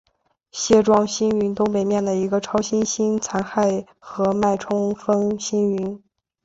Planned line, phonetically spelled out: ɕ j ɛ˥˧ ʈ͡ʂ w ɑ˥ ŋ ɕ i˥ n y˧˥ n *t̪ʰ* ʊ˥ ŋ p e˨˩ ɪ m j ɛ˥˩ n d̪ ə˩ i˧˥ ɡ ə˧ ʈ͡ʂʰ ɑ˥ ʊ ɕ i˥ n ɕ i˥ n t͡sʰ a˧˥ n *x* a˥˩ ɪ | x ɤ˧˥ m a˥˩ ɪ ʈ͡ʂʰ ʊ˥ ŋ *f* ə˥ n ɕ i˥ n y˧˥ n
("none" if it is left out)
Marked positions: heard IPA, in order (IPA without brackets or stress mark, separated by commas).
t̪, x, f